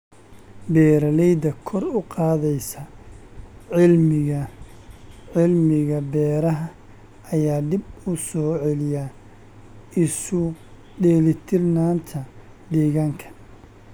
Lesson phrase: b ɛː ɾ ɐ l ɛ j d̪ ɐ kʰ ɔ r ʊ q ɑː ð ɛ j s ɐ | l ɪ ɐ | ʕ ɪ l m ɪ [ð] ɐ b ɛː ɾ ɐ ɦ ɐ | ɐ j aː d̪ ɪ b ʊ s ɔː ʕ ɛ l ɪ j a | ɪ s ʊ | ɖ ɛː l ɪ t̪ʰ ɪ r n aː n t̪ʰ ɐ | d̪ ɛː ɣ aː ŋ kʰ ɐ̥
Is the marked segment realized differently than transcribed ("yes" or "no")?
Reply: yes